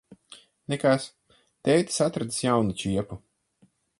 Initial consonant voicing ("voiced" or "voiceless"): voiced